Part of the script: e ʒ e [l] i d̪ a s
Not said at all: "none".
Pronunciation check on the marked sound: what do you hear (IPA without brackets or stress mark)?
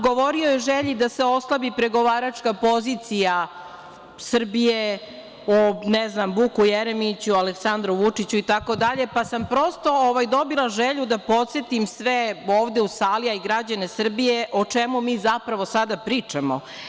ʎ